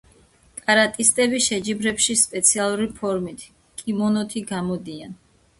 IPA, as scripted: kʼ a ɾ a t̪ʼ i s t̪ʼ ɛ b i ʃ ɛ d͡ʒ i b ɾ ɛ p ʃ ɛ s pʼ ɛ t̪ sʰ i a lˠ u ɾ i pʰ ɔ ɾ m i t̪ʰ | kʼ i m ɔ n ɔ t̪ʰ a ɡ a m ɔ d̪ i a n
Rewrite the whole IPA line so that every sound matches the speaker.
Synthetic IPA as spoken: kʼ a ɾ a t̪ʼ i s t̪ʼ ɛ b i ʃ ɛ d͡ʒ i b ɾ ɛ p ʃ i s pʼ ɛ t̪ sʰ i a lˠ u ɾ i pʰ ɔ ɾ m i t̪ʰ | kʼ i m ɔ n ɔ t̪ʰ i ɡ a m ɔ d̪ i a n